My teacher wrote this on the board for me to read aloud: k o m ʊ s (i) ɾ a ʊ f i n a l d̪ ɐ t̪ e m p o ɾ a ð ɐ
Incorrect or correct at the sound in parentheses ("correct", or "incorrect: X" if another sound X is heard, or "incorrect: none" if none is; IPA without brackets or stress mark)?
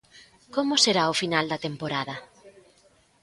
incorrect: e